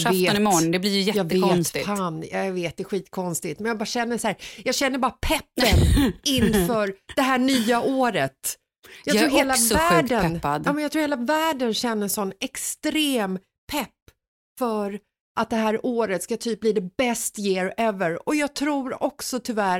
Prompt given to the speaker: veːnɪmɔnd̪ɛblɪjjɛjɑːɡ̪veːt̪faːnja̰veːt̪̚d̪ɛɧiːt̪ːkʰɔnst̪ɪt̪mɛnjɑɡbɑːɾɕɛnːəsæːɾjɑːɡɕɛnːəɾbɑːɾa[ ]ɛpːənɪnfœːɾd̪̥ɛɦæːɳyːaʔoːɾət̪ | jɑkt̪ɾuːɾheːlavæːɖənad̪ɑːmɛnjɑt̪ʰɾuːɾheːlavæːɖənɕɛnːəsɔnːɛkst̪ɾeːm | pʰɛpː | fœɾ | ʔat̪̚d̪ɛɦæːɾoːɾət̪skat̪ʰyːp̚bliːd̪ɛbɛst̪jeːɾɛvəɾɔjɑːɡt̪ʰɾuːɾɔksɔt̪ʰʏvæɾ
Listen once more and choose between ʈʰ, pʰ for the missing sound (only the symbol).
pʰ